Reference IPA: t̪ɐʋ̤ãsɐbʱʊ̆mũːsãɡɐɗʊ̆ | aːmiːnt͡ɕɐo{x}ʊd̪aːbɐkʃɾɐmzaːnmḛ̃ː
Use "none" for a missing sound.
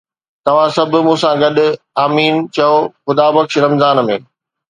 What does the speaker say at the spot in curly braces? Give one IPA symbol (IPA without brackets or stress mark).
x